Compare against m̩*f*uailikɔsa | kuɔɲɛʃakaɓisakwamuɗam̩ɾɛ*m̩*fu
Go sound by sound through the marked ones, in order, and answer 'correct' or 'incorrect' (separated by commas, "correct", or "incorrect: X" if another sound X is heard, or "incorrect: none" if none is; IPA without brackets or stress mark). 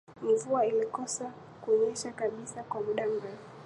incorrect: v, incorrect: none